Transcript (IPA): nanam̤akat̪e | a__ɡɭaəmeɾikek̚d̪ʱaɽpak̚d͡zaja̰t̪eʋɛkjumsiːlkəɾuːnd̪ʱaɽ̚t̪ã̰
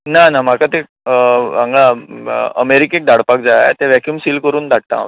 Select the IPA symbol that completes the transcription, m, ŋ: ŋ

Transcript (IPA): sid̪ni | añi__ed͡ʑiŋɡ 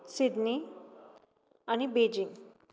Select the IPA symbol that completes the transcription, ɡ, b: b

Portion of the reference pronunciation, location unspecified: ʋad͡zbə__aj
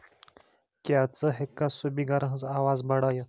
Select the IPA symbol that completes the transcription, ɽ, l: ɽ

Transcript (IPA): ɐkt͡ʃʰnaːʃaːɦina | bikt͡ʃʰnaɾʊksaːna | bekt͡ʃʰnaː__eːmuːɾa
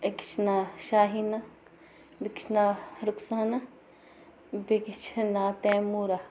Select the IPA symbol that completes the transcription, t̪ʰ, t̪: t̪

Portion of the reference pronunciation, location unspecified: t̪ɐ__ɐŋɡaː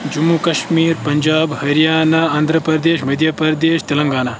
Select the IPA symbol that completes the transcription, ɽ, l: l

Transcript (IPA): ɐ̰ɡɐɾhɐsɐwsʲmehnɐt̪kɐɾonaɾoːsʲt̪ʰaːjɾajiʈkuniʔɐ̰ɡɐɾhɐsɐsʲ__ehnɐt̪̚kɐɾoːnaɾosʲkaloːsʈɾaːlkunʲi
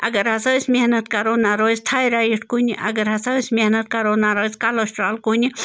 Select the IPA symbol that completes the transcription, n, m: m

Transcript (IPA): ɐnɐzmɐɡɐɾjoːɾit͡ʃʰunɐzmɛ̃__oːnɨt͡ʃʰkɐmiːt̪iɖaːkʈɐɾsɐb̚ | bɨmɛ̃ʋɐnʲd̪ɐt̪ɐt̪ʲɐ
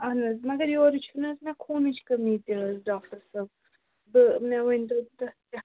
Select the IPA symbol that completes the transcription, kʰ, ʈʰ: kʰ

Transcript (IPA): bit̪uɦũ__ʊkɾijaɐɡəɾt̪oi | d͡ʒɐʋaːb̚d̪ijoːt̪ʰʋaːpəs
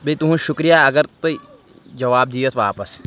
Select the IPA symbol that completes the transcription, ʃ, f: ʃ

